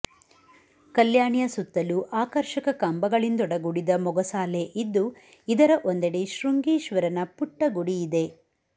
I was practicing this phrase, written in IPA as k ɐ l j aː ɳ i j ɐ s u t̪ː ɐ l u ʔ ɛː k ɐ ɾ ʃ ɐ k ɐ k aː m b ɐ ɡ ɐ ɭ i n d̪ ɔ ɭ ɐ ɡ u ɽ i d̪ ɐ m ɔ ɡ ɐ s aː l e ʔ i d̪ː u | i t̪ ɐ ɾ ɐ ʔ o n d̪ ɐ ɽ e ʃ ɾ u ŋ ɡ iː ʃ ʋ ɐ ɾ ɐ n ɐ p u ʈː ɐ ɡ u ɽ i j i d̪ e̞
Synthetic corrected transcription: k ɐ l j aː ɳ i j ɐ s u t̪ː ɐ l u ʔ aː k ɐ ɾ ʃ ɐ k ɐ k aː m b ɐ ɡ ɐ ɭ i n d̪ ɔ ɽ ɐ ɡ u ɽ i d̪ ɐ m ɔ ɡ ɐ s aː l e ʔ i d̪ː u | i d̪ ɐ ɾ ɐ ʔ o n d̪ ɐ ɽ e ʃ ɾ u ŋ ɡ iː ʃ ʋ ɐ ɾ ɐ n ɐ p u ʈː ɐ ɡ u ɽ i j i d̪ e̞